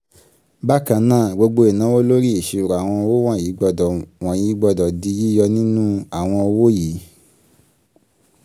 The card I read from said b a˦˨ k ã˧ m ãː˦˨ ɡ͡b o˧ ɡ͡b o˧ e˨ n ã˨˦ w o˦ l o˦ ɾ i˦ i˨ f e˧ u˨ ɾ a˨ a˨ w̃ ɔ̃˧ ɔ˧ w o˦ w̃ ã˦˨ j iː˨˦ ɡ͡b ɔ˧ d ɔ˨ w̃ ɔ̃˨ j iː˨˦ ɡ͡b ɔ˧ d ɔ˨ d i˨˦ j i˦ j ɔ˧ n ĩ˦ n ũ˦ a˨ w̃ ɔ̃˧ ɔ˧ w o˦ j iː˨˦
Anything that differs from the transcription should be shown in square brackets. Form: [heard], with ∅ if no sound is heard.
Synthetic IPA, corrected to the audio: b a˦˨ k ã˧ [n] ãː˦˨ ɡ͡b o˧ ɡ͡b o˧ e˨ n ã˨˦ w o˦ l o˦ ɾ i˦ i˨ [ʃ] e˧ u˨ ɾ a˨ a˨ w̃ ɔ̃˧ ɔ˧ w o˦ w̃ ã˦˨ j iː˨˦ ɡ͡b ɔ˧ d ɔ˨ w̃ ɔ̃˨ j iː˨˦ ɡ͡b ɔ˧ d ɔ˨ d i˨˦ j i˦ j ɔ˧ n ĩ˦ n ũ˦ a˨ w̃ ɔ̃˧ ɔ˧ w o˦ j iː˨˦

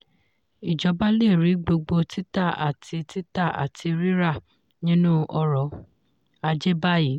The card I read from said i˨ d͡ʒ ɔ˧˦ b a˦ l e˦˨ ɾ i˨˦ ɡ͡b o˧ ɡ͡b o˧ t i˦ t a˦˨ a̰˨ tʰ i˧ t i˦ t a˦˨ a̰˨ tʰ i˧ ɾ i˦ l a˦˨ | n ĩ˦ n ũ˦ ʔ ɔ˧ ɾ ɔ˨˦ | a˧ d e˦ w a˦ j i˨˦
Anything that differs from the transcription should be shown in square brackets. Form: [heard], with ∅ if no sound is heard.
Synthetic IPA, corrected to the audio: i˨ d͡ʒ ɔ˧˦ b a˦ l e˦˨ ɾ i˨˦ ɡ͡b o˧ ɡ͡b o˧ t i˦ t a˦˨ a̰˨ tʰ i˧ t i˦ t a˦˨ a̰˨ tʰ i˧ ɾ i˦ [ɾ] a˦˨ | n ĩ˦ n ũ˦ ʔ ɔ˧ ɾ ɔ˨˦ | a˧ [d͡ʒ] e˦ [b] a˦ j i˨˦

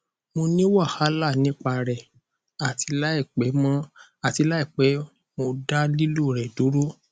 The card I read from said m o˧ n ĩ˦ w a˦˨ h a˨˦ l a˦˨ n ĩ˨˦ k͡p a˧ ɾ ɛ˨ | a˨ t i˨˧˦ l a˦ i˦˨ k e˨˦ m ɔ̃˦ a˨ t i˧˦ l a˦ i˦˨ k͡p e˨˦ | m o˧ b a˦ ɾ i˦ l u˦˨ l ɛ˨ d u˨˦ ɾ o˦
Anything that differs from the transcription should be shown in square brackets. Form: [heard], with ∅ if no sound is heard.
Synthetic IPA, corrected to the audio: m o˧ n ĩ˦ w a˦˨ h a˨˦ l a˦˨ n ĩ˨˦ k͡p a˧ ɾ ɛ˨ | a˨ t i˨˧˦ l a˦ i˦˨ [k͡p] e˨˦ m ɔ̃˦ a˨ t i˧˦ l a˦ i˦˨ k͡p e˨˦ | m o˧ [d] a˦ [l] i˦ l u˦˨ [ɾ] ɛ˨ d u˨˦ ɾ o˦

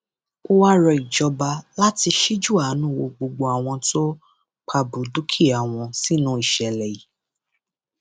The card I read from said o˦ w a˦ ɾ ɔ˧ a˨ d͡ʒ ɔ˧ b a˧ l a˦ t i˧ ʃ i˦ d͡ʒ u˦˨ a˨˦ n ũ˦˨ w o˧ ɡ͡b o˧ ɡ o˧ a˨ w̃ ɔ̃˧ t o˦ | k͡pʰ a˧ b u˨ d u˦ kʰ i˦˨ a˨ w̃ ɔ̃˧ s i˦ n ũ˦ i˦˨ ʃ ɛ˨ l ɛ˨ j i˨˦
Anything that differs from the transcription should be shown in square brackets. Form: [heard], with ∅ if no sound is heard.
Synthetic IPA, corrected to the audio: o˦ w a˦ ɾ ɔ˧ [i˨] d͡ʒ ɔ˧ b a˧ l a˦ t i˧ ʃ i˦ d͡ʒ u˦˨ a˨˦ n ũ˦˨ w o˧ ɡ͡b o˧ [ɡ͡b] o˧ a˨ w̃ ɔ̃˧ t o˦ | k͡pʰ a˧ b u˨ d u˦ kʰ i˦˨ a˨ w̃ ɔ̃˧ s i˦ n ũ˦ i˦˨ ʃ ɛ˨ l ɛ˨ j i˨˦

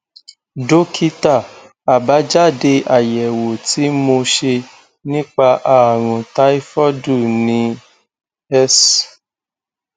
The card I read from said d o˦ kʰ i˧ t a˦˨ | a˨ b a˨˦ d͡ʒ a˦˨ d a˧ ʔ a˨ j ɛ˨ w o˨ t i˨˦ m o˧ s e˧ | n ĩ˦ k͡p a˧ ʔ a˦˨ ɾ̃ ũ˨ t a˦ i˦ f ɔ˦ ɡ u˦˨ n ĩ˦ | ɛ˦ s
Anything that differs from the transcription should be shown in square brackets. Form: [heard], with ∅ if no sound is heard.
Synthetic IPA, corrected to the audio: d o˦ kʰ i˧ t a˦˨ | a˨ b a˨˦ d͡ʒ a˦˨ d [e˧] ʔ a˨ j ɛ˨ w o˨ t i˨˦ m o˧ [ʃ] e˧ | n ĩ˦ k͡p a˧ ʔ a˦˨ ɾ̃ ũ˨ t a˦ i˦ f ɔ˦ [d] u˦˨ n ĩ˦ | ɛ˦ s

